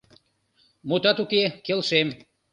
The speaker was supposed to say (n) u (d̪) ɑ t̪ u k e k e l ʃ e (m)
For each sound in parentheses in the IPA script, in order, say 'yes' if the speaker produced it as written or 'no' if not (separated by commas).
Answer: no, no, yes